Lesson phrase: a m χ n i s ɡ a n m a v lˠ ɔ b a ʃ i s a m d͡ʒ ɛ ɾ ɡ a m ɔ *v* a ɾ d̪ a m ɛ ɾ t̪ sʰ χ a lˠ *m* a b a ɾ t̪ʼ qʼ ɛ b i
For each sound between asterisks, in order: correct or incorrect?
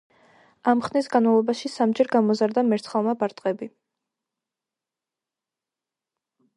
incorrect: z, correct

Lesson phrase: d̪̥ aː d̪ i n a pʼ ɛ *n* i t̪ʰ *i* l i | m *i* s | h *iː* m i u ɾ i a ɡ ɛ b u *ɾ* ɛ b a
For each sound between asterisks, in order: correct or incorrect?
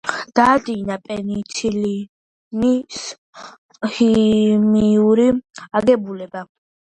correct, correct, correct, incorrect: i, incorrect: l

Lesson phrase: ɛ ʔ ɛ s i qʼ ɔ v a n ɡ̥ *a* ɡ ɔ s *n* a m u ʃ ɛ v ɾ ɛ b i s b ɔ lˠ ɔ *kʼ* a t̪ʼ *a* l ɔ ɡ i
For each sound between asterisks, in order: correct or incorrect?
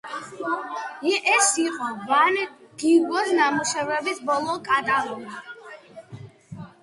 incorrect: i, correct, correct, correct

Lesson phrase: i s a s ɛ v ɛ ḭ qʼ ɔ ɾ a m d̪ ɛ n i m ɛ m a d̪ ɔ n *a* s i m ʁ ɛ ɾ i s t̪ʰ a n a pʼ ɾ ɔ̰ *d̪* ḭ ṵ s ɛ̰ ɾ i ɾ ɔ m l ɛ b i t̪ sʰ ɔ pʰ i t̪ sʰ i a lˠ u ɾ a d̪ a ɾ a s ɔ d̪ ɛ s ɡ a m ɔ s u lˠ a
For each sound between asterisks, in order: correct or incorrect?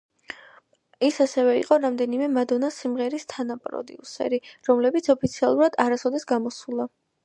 correct, correct

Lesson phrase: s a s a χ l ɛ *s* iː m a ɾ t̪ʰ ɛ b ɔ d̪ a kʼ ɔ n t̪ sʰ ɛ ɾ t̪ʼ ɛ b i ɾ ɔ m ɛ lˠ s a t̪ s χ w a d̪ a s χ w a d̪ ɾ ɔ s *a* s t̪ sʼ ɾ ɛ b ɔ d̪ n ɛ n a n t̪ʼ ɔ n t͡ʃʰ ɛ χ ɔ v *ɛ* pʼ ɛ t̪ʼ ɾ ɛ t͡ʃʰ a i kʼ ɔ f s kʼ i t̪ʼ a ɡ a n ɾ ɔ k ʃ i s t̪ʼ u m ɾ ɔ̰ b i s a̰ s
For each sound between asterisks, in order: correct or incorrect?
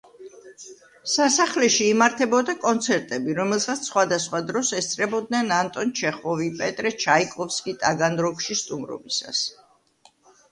incorrect: ʃ, incorrect: ɛ, incorrect: i

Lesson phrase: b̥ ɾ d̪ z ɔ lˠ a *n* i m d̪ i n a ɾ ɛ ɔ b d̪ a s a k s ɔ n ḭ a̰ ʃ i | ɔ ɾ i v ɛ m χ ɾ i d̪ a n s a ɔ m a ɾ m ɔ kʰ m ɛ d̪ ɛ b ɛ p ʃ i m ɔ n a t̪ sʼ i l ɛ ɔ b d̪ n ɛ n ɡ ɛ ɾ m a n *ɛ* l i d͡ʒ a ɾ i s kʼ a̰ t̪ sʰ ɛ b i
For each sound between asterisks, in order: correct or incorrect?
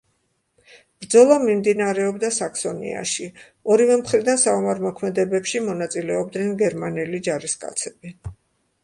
incorrect: m, correct

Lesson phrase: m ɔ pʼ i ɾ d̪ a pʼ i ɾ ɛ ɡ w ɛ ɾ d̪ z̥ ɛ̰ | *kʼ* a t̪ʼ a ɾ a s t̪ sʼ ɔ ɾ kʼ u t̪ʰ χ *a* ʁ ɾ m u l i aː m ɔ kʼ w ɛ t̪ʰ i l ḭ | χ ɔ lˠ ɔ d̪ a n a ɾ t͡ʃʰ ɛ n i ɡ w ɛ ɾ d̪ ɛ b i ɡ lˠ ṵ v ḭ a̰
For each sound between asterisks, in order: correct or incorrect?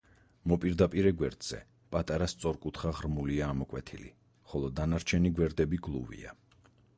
incorrect: pʼ, correct

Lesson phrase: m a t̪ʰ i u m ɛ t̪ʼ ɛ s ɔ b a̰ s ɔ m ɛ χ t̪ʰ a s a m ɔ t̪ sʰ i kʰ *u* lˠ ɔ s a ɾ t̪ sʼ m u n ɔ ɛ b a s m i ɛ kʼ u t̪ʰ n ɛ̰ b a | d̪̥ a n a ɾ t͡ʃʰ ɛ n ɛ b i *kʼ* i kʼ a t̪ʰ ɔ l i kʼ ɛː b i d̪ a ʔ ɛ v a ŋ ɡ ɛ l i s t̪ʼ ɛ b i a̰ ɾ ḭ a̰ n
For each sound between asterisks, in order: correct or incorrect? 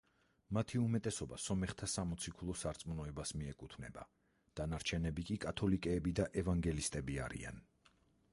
correct, correct

